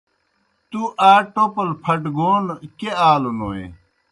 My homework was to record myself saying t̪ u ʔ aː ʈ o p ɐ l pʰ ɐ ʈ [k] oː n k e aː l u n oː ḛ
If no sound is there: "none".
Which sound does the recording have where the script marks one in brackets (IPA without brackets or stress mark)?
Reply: ɡ